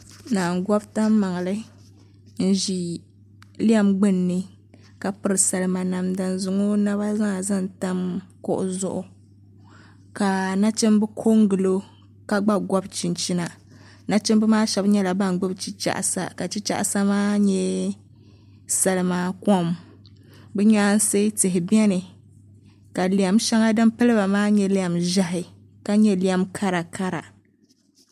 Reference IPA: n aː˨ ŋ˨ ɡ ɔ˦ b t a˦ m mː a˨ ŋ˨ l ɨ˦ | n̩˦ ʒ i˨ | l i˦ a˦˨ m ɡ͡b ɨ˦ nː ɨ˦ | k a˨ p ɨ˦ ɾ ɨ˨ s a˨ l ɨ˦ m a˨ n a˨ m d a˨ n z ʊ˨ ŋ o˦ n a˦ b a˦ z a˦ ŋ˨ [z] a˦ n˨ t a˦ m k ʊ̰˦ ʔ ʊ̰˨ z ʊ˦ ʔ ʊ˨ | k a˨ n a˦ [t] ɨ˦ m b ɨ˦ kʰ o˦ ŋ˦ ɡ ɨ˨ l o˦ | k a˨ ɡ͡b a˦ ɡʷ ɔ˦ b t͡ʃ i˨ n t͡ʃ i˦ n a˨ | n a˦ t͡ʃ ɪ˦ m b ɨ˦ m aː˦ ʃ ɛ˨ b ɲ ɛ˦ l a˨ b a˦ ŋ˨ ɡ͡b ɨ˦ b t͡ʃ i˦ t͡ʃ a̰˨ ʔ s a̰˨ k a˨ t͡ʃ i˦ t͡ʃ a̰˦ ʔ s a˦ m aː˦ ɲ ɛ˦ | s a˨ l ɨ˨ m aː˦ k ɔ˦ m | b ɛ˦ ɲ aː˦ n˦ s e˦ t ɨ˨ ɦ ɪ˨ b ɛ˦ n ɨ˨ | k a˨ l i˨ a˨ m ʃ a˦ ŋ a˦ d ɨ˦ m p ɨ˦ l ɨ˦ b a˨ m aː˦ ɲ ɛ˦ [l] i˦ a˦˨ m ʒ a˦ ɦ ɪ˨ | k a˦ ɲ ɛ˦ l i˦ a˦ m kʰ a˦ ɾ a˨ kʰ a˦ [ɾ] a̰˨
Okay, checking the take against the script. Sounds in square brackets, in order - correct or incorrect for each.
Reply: correct, incorrect: t͡ʃ, correct, correct

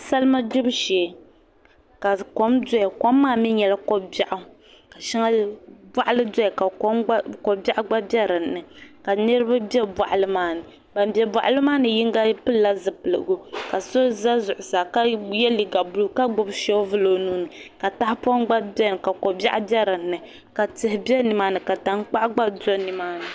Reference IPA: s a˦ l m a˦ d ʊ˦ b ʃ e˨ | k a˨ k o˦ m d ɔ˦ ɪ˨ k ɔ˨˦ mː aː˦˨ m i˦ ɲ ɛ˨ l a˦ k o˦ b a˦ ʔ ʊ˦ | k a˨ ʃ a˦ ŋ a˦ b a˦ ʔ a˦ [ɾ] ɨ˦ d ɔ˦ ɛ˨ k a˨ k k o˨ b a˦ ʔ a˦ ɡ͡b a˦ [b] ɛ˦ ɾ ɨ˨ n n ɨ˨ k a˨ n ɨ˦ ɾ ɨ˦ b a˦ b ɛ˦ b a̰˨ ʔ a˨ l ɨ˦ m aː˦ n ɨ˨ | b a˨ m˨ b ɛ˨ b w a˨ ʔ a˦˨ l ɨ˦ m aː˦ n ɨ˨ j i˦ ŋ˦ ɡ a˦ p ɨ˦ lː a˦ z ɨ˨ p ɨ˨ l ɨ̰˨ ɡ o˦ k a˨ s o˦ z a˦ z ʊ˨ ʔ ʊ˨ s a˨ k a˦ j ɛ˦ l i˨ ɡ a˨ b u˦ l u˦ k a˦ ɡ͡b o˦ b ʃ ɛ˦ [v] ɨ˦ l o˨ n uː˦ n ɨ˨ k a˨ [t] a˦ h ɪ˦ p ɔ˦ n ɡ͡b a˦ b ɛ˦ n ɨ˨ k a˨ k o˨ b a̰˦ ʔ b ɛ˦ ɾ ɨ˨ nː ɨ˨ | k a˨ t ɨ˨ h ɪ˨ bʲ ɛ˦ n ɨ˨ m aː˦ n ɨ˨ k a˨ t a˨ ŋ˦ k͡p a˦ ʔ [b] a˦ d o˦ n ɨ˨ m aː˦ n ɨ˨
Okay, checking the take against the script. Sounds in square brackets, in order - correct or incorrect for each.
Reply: incorrect: l, correct, correct, correct, incorrect: ɡ͡b

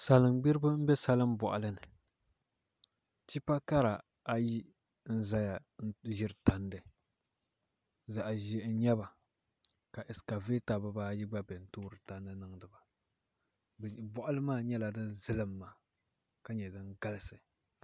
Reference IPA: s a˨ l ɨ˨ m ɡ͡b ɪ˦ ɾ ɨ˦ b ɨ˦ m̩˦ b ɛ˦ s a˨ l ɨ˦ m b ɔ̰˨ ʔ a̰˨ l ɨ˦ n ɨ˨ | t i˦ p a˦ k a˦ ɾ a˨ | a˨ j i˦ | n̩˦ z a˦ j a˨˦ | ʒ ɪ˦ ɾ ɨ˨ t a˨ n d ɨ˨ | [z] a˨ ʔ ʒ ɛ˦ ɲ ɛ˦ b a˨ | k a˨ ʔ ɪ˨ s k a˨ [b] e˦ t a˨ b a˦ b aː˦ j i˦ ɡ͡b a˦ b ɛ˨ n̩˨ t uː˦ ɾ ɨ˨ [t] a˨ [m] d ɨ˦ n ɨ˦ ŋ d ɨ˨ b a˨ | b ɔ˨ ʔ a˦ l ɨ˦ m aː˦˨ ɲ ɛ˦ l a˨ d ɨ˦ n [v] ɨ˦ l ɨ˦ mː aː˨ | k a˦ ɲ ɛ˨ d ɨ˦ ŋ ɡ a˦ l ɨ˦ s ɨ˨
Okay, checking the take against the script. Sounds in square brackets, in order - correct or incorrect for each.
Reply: correct, incorrect: v, correct, incorrect: n, incorrect: z

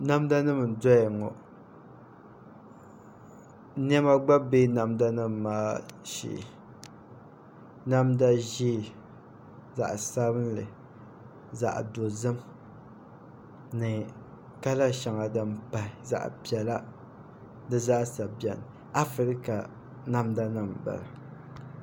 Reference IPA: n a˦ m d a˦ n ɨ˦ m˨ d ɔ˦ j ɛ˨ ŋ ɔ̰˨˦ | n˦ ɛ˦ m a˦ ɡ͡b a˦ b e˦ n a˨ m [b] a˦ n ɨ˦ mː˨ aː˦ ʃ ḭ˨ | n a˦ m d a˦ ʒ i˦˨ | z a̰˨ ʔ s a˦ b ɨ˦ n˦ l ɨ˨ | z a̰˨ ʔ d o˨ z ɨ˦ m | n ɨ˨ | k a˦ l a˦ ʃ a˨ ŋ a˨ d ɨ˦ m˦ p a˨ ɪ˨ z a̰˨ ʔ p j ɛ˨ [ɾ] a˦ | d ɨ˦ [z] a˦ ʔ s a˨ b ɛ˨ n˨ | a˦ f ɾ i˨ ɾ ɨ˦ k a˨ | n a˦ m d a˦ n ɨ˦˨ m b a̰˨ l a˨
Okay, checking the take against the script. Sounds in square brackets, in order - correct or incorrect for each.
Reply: incorrect: d, incorrect: l, correct

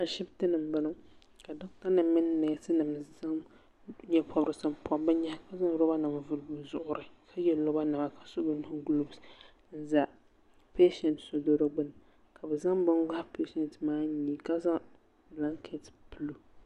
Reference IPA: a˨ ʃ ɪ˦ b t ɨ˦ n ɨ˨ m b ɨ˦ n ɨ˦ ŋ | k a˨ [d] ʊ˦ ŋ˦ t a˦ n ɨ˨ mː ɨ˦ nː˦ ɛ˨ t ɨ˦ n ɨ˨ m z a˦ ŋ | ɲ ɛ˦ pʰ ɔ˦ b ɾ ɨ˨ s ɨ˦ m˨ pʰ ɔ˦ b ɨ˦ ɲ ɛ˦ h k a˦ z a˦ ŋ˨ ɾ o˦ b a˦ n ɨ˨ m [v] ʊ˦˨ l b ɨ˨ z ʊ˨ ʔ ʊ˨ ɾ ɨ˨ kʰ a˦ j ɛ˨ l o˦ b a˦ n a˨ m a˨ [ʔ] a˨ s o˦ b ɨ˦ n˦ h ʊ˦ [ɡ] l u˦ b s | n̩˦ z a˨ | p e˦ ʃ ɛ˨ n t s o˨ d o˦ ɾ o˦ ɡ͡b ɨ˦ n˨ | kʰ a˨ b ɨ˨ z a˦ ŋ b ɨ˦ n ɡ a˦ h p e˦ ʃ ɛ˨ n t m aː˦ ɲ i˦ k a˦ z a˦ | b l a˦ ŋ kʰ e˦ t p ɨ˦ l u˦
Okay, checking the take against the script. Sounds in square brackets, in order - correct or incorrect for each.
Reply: correct, correct, incorrect: k, correct

